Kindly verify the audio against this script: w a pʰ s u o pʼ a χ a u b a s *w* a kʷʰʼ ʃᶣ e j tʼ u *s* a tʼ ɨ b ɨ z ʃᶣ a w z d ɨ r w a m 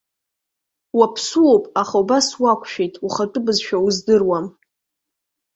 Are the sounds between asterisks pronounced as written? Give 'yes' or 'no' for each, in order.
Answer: yes, no

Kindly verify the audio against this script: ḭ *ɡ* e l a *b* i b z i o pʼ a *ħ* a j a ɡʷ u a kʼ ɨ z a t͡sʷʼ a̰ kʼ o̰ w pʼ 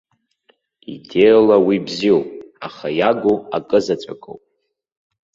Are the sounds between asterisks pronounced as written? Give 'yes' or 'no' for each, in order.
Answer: no, no, no

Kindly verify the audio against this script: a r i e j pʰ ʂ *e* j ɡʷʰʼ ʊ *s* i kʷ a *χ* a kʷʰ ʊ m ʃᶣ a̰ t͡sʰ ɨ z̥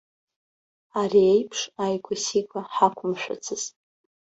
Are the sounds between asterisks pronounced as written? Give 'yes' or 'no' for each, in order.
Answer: no, yes, no

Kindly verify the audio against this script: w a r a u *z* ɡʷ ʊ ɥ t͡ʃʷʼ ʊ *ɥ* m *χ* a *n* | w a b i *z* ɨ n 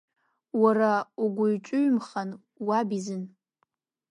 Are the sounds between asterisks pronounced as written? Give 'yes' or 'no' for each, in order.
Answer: no, yes, yes, yes, yes

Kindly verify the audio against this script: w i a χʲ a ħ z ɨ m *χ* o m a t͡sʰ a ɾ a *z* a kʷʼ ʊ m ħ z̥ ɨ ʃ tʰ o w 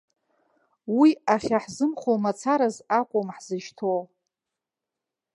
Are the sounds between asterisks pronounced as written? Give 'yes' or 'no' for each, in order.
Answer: yes, yes

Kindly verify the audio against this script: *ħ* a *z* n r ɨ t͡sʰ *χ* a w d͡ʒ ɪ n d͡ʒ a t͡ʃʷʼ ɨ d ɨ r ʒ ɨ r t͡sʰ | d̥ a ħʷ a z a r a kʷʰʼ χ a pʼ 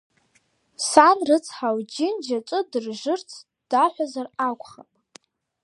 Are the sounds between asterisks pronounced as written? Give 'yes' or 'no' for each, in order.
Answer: no, no, no

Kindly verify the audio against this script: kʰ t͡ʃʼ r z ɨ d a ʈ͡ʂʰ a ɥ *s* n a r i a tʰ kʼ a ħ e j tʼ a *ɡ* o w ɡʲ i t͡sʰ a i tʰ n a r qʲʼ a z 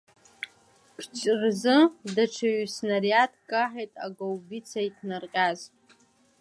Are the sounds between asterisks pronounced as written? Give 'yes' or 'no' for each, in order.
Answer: yes, yes

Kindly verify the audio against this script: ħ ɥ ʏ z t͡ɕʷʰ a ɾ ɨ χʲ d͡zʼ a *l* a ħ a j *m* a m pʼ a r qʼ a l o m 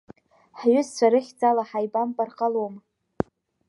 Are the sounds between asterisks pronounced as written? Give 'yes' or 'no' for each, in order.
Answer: yes, no

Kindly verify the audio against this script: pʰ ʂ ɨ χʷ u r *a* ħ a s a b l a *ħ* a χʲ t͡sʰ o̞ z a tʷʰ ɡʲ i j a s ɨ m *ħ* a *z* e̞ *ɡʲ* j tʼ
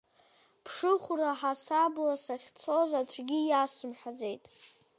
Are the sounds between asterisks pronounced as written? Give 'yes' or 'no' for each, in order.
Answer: yes, no, yes, no, no

